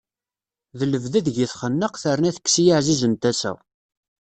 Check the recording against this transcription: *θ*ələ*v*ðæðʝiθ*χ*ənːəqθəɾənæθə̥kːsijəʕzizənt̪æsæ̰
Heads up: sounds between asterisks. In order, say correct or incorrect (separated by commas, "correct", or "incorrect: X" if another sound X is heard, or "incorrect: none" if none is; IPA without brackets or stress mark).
incorrect: ð, correct, correct